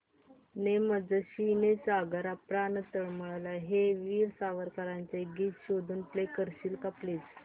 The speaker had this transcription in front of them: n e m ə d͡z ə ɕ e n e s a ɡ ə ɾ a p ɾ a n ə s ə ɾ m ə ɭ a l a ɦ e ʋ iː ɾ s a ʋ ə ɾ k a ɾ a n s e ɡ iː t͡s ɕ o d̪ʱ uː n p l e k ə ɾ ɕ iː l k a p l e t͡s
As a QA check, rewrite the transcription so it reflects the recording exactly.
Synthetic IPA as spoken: n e m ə d͡z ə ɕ i n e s a ɡ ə ɾ a p ɾ a n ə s ə ɭ m ə ɭ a l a ɦ e ʋ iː ɾ s a ʋ ə ɾ k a ɾ a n t͡s e ɡ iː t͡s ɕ o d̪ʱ uː n p l e k ə ɾ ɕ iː l k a p l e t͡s